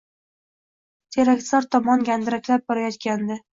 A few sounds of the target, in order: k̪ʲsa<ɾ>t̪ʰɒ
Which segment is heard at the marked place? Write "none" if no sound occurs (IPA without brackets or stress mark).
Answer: ɾ